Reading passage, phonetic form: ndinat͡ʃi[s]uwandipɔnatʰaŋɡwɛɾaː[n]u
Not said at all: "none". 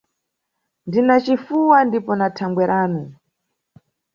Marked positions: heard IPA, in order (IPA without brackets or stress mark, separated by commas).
f, n